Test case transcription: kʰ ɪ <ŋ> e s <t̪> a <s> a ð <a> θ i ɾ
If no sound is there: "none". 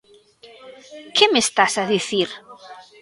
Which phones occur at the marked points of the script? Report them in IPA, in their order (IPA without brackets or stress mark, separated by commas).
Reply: m, t̪, s, i